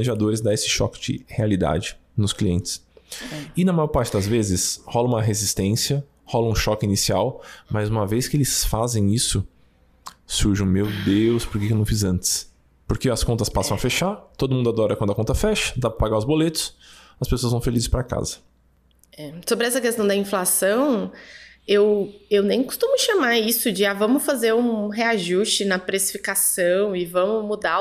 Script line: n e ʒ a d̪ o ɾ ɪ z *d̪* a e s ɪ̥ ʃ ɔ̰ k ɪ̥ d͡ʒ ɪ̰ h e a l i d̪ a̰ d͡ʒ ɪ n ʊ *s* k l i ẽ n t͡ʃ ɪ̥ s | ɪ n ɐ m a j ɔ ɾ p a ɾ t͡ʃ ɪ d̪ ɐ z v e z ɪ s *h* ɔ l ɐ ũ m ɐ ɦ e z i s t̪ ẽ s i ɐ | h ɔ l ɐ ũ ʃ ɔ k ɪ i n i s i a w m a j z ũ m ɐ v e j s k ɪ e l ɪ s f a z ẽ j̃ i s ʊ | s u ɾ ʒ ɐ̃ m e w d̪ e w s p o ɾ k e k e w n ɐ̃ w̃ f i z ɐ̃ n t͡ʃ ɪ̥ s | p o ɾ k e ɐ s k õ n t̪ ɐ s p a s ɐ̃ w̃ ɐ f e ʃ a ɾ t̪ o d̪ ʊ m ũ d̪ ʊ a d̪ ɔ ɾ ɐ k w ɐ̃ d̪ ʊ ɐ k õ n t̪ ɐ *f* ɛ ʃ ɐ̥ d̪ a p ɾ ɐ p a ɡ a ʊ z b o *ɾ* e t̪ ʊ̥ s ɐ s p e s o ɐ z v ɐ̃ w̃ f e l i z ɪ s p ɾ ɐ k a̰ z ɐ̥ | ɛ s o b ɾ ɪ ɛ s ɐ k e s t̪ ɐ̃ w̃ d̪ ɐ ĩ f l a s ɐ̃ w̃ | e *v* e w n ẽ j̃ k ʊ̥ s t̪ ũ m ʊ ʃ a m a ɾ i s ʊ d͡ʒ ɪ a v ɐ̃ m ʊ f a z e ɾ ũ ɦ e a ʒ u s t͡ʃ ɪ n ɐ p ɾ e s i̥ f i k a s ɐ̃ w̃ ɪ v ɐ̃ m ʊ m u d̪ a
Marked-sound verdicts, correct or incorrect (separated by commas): correct, correct, correct, correct, incorrect, incorrect